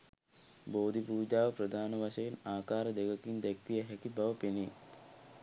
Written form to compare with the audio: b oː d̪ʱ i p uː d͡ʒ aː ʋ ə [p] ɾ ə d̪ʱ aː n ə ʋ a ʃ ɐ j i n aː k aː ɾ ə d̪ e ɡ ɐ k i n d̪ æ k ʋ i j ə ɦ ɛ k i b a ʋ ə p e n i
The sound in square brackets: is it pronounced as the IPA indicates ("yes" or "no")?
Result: yes